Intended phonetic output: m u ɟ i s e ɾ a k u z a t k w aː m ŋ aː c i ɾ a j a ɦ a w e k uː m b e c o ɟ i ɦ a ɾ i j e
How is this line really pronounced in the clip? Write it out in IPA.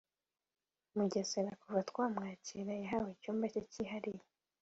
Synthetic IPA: m u ɟ e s e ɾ a k u v a t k w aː m ŋ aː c i ɾ a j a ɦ a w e c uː m b a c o c i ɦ a ɾ i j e